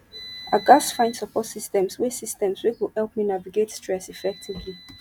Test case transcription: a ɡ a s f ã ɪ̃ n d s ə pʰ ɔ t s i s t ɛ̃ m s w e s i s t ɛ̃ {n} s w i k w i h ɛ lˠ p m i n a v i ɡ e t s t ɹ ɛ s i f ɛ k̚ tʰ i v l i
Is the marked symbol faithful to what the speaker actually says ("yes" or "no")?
no